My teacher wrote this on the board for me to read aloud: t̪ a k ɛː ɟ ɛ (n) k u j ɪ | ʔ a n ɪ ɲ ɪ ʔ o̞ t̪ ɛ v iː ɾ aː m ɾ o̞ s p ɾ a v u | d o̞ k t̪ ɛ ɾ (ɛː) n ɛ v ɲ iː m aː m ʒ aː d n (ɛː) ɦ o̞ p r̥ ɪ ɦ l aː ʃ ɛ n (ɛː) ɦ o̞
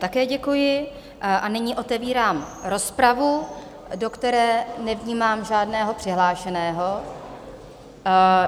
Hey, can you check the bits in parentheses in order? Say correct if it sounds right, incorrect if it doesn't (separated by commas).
incorrect, correct, correct, correct